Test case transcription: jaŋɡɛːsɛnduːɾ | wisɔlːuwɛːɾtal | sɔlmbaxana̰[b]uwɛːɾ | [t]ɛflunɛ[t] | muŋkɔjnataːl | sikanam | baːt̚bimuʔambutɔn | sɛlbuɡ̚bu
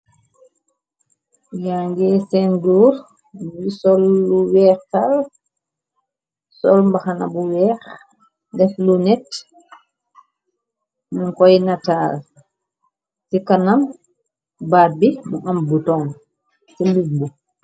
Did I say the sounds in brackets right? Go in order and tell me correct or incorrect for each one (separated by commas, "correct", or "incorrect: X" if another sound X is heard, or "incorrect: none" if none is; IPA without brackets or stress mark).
correct, incorrect: d, correct